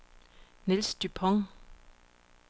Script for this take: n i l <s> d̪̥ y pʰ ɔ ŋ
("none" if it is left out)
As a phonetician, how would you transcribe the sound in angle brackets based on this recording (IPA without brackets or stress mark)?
s